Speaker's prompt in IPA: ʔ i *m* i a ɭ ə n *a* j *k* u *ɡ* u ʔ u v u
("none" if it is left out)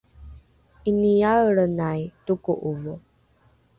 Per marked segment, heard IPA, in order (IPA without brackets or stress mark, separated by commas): n, a, t, k